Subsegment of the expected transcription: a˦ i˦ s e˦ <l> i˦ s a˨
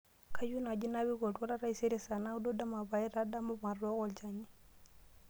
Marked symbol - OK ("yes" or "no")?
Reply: no